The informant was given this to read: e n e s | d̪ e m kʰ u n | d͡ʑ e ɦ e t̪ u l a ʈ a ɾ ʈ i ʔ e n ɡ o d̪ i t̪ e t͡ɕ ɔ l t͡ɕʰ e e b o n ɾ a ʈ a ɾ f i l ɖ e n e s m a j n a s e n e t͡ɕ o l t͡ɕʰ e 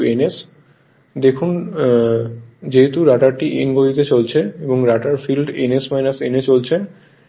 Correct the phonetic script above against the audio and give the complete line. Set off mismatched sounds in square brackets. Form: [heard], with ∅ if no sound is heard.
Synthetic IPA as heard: e n e s | d̪ e [∅] kʰ u n | d͡ʑ e ɦ e t̪ u [ɾ] a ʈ a ɾ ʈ i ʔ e n ɡ o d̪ i t̪ e t͡ɕ [o] l t͡ɕʰ e e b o [ŋ] ɾ a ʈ a ɾ f i l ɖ e n e s m a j n a s e n e t͡ɕ o l t͡ɕʰ e